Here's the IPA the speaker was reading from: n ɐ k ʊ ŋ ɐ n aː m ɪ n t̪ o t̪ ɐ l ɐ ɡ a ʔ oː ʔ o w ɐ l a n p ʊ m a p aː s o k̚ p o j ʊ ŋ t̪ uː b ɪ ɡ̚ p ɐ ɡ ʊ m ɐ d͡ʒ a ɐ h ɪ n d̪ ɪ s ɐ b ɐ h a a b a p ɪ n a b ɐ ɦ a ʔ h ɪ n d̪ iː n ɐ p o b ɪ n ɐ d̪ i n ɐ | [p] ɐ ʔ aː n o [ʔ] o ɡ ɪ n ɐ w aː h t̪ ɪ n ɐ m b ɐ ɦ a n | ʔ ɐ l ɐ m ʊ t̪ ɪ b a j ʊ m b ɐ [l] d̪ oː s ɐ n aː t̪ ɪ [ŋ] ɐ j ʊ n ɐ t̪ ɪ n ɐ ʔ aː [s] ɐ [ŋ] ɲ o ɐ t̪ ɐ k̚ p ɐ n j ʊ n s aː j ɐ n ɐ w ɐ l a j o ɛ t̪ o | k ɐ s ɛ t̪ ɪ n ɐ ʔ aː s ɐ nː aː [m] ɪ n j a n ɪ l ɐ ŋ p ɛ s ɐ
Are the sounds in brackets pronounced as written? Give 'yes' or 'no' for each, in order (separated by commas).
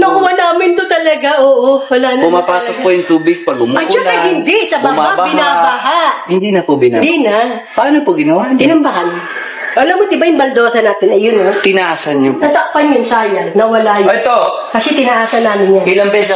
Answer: yes, no, yes, no, yes, no, yes